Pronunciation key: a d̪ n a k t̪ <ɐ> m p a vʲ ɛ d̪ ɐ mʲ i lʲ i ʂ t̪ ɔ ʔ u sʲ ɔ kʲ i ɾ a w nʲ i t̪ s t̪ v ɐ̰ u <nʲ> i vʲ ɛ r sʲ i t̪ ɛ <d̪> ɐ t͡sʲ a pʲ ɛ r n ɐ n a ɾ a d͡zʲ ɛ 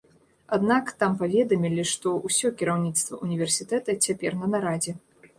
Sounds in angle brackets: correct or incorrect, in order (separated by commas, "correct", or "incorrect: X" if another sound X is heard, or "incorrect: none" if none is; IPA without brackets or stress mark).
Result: incorrect: a, correct, incorrect: t̪